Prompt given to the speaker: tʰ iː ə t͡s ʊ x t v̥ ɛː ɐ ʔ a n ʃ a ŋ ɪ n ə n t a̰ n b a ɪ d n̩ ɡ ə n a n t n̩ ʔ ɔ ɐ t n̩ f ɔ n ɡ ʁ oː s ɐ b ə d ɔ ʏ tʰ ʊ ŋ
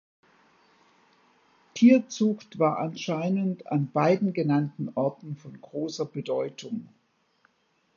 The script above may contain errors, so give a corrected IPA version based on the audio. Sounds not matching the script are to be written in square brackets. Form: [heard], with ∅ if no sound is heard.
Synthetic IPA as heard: tʰ iː [ɐ] t͡s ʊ x t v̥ [aː] ɐ ʔ a n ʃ a [∅] ɪ n ə n t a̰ n b a ɪ d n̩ ɡ ə n a n t n̩ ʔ ɔ ɐ t n̩ f ɔ n ɡ ʁ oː s ɐ b ə d ɔ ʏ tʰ ʊ ŋ